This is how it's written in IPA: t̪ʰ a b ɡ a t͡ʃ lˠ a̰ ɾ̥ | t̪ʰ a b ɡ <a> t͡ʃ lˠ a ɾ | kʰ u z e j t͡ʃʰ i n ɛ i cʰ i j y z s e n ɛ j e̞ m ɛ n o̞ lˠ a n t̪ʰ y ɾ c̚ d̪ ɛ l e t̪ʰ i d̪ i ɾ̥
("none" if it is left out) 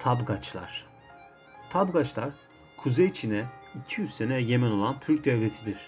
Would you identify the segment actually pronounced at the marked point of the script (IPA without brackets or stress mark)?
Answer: a